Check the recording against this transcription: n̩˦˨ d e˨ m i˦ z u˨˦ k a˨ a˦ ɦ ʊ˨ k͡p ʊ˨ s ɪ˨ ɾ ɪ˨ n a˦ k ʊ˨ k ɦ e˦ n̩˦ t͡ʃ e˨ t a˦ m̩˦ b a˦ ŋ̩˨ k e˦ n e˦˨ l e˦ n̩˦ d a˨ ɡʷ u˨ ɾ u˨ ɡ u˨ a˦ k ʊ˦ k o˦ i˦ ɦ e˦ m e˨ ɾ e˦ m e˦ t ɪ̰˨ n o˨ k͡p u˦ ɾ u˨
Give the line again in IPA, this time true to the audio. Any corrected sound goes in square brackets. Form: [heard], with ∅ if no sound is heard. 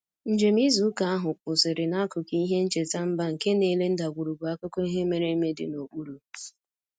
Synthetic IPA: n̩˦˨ [d͡ʒ] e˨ m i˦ z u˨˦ k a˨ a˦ ɦ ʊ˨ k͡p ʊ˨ s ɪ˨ ɾ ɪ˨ n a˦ k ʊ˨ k ɦ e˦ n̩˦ t͡ʃ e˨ t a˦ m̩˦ b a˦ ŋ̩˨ k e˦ n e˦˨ l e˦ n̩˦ d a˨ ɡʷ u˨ ɾ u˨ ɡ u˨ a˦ k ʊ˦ k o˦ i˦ ɦ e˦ m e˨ ɾ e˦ m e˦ [d] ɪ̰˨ n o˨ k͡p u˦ ɾ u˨

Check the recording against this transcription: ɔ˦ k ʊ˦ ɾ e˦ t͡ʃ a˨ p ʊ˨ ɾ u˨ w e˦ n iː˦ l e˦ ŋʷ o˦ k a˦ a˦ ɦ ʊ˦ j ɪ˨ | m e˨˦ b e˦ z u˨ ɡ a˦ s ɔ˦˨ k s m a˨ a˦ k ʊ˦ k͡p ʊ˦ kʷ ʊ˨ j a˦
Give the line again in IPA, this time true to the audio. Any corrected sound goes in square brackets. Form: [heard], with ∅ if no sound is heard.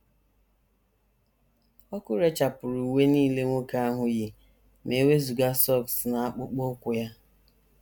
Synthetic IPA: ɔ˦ k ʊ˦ ɾ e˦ t͡ʃ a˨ p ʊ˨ ɾ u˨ w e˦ n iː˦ l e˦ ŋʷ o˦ k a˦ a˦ ɦ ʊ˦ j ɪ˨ | m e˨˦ [w] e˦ z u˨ ɡ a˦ s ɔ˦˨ k s [n] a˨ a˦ [k͡p] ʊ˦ k͡p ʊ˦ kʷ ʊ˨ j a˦

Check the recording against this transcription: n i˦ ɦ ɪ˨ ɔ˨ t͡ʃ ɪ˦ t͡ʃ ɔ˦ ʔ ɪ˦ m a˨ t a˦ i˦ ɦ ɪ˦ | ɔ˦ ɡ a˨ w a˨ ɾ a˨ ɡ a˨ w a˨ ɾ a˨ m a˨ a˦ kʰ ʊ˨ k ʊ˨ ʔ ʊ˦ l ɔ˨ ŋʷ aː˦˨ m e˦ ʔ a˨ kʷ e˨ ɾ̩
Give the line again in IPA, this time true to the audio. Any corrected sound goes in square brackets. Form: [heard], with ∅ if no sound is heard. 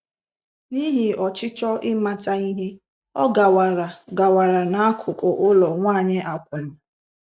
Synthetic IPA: n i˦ ɦ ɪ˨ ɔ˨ t͡ʃ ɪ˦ t͡ʃ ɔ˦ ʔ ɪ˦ m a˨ t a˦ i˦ ɦ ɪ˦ | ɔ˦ ɡ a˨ w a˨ ɾ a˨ ɡ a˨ w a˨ ɾ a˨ [n] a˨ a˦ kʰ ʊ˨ k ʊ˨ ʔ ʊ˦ l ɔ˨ ŋʷ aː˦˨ [ɲ] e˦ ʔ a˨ kʷ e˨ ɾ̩

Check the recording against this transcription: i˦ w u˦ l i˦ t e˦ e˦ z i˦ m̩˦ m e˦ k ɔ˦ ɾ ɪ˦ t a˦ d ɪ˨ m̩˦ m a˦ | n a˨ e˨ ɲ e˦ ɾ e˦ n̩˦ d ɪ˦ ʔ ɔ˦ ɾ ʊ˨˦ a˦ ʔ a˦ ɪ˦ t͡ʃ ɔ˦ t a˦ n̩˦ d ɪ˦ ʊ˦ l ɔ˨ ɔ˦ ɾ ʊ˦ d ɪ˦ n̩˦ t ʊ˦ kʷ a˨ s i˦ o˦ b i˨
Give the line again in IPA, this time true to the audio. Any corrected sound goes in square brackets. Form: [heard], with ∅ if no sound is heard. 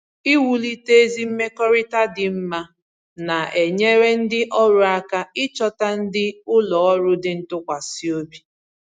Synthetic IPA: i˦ w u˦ l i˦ t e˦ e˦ z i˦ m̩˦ m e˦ k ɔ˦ ɾ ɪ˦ t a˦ d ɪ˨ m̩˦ m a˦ | n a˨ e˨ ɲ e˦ ɾ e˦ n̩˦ d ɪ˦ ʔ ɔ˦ ɾ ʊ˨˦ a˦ [k] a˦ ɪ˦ t͡ʃ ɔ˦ t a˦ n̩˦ d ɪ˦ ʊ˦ l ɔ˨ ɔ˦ ɾ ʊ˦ d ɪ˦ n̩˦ t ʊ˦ kʷ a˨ s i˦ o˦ b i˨

